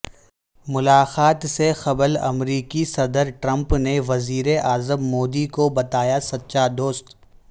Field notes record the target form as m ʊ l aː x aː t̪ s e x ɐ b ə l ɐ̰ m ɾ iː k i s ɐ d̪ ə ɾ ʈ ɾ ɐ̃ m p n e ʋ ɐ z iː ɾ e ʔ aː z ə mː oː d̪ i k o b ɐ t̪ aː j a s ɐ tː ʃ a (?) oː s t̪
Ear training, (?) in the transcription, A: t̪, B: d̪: B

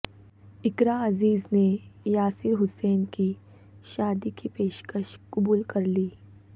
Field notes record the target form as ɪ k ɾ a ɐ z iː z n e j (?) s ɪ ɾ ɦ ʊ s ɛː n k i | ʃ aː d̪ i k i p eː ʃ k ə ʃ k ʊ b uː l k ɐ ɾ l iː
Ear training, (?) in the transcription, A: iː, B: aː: B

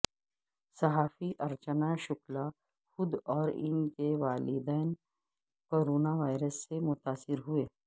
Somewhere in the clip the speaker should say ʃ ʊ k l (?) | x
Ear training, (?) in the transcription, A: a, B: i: A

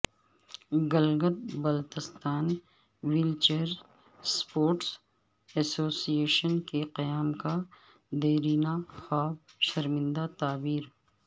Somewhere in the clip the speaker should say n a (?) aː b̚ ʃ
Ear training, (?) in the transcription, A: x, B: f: A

